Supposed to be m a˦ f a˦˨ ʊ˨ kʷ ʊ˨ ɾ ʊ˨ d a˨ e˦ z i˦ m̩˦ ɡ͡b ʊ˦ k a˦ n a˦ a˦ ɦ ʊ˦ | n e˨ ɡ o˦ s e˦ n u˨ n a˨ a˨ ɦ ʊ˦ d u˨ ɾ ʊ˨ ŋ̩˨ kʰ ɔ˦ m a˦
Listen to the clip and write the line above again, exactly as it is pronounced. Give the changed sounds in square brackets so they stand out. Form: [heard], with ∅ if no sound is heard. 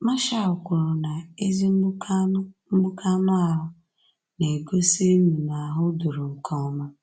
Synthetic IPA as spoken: m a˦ [ʃ] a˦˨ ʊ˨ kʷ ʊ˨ ɾ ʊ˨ [n] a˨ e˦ z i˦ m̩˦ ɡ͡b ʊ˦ k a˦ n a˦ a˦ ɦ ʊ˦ | n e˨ ɡ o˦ s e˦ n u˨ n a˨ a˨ ɦ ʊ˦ d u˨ ɾ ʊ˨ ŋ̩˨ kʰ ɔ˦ m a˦